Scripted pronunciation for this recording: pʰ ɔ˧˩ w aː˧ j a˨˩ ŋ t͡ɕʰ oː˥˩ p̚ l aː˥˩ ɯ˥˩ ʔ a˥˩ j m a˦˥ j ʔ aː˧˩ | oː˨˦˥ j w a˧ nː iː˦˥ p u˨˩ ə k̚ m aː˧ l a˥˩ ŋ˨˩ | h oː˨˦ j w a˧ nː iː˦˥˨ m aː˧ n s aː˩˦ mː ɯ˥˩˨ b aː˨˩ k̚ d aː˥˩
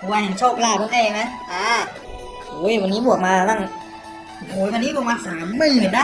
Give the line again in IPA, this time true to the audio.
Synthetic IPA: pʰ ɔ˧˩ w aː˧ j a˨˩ ŋ t͡ɕʰ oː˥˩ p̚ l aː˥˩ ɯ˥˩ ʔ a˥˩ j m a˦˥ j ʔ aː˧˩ | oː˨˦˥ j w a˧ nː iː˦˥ b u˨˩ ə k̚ m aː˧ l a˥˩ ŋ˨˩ | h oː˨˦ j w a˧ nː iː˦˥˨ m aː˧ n s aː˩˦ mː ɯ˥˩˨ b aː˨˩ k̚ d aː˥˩

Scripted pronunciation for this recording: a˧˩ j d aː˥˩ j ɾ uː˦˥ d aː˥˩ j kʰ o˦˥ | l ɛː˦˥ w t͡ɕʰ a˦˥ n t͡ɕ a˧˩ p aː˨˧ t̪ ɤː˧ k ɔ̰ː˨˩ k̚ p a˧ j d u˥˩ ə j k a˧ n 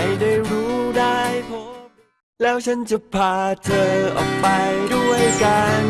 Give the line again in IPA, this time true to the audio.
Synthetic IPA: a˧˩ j d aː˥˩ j ɾ uː˦˥ d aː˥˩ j pʰ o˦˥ | l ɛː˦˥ w t͡ɕʰ a˦˥ n t͡ɕ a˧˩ pʰ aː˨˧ t̪ʰ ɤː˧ ʔ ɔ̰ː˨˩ k̚ p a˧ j d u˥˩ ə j k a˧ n

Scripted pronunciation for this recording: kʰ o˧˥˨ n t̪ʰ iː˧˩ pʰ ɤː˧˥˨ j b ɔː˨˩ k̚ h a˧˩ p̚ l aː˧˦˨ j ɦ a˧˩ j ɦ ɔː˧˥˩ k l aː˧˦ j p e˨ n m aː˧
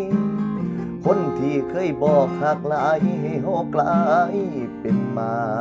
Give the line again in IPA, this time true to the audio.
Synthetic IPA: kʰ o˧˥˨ n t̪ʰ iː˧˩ kʰ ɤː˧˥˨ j b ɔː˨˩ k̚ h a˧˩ k̚ l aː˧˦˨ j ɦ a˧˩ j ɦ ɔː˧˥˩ k l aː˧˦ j p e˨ n m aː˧

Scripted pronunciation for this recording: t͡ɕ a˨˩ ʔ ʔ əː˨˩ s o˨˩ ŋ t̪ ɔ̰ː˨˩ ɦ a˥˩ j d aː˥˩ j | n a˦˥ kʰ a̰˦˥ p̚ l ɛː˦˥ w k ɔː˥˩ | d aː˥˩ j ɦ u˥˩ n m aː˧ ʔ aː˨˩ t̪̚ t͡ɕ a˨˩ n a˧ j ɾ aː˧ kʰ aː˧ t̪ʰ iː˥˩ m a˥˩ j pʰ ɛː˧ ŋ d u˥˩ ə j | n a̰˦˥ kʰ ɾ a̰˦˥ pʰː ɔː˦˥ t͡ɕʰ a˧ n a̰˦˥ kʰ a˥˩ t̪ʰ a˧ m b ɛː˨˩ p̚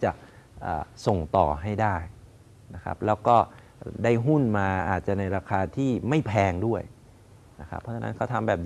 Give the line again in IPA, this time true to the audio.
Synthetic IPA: t͡ɕ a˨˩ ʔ ʔ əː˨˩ s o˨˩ ŋ t̪ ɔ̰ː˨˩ ɦ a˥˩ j d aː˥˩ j | n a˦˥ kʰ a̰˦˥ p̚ l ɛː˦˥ w k ɔː˥˩ | d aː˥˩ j ɦ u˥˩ n m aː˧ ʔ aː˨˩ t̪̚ t͡ɕ a˨˩ n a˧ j ɾ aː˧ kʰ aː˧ t̪ʰ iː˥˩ m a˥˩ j pʰ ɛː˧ ŋ d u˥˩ ə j | n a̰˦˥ kʰ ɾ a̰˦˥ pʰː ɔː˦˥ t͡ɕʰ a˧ n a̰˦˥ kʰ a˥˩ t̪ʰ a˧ m b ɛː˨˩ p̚

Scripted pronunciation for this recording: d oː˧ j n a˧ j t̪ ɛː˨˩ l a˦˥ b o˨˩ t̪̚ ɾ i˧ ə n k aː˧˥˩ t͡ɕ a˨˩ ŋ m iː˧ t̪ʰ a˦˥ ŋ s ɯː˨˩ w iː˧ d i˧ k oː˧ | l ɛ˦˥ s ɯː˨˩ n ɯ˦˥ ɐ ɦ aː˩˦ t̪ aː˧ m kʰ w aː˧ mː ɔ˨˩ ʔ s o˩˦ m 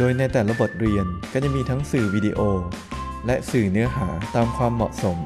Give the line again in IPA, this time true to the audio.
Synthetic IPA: d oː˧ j n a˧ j t̪ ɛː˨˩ l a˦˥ b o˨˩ t̪̚ ɾ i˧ ə n k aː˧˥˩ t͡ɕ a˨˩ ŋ m iː˧ t̪ʰ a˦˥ ŋ s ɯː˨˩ w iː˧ d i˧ ʔ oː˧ | l ɛ˦˥ s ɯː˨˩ n ɯ˦˥ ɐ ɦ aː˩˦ t̪ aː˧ m kʰ w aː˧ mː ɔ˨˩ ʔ s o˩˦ m

